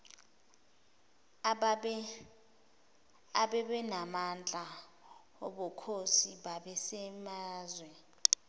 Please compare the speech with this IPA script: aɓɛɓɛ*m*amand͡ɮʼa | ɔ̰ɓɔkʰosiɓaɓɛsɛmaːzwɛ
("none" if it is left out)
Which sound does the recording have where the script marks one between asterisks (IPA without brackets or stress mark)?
n